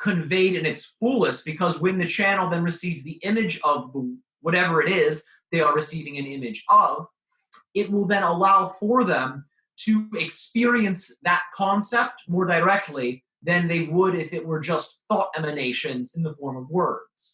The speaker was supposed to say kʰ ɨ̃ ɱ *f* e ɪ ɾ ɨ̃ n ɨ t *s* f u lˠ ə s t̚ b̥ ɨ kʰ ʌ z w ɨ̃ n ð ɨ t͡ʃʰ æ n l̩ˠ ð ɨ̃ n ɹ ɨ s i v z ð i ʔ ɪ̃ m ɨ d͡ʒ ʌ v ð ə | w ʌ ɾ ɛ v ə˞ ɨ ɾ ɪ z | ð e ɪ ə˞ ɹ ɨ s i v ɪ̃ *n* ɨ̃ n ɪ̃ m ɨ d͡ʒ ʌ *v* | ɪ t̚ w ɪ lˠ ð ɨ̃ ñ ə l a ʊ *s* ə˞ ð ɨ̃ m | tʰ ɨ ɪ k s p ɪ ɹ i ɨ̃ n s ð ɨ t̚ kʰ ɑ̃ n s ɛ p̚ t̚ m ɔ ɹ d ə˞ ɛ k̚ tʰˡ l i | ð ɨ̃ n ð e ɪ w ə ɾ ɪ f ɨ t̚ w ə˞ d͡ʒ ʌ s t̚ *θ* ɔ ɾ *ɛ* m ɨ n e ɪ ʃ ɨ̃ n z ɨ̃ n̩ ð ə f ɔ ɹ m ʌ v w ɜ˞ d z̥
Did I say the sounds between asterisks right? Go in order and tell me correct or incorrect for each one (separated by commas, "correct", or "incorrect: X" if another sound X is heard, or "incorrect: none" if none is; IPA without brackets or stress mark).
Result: incorrect: v, correct, incorrect: ŋ, correct, incorrect: f, correct, correct